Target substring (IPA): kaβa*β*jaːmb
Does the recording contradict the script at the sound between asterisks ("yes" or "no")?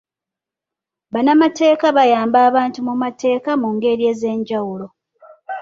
yes